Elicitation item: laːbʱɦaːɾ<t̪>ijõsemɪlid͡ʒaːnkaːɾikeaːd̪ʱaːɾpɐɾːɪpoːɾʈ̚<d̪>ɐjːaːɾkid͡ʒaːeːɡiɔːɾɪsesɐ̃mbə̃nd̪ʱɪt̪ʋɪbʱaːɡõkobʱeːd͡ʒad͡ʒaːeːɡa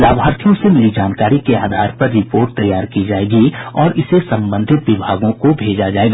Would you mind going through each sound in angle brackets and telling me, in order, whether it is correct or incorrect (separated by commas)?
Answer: incorrect, incorrect